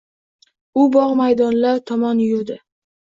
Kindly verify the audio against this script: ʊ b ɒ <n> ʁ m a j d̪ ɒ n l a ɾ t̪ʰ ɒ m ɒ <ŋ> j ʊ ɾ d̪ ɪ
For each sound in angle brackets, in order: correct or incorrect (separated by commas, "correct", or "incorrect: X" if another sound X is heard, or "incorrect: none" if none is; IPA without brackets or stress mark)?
incorrect: none, incorrect: n